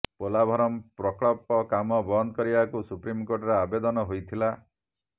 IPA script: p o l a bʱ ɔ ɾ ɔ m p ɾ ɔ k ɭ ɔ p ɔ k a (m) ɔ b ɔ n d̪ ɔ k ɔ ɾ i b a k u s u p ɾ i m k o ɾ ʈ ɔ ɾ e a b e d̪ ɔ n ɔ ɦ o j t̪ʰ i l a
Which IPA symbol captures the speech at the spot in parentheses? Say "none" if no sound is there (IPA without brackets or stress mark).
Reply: m